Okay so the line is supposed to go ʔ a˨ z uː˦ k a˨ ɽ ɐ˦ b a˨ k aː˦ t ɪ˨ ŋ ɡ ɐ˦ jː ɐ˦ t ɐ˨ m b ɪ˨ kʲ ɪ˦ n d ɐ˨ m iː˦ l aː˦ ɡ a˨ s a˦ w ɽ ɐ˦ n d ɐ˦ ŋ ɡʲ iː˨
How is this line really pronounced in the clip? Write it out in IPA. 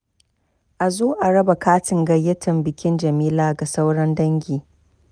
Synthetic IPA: ʔ a˨ z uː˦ ʔ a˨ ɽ ɐ˦ b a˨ k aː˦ t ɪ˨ ŋ ɡ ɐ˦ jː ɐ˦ t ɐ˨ m b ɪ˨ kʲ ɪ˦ n d͡ʒ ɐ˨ m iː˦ l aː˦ ɡ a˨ s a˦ w ɽ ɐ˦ n d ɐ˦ ŋ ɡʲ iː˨